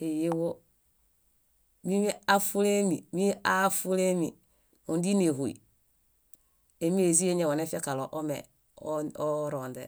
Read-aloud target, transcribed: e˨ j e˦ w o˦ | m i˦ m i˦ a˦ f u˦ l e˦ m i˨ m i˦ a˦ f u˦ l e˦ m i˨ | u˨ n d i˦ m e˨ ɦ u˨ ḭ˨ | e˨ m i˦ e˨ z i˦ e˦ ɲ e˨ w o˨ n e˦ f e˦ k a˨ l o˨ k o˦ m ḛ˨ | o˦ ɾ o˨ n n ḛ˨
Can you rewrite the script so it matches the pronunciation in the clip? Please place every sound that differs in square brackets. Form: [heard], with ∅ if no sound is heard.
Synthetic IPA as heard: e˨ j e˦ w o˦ | m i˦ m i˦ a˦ f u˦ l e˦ m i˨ m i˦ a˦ f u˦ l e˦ m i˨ | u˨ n d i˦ [n] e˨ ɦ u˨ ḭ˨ | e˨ m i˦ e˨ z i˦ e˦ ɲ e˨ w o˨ n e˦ f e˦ k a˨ l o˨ [ʔ] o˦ m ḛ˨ | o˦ ɾ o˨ n [d] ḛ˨